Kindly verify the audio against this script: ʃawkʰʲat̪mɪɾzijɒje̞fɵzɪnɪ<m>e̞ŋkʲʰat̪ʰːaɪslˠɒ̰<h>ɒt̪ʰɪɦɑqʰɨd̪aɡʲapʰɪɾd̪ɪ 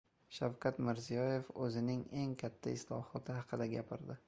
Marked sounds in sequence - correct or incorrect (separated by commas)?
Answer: incorrect, correct